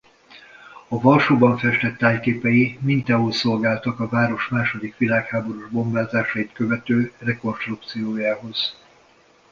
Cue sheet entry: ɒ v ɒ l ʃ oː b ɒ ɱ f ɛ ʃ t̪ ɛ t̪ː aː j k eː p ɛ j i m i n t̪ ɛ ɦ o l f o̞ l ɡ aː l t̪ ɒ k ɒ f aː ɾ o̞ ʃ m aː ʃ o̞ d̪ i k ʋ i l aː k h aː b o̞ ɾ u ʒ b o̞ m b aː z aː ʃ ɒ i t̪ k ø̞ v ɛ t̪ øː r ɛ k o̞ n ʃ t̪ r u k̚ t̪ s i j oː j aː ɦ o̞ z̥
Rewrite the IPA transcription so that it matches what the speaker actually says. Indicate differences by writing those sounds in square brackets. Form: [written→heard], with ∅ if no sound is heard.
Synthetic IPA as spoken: ɒ v ɒ l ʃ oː b ɒ ɱ f ɛ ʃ t̪ ɛ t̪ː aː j k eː p ɛ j i m i n t̪ ɛ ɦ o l [f→s] o̞ l ɡ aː l t̪ ɒ k ɒ [f→v] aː ɾ o̞ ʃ m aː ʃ o̞ d̪ i k ʋ i l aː k h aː b o̞ ɾ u ʒ b o̞ m b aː z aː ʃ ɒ i t̪ k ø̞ v ɛ t̪ øː r ɛ k o̞ n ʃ t̪ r u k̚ t̪ s i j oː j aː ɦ o̞ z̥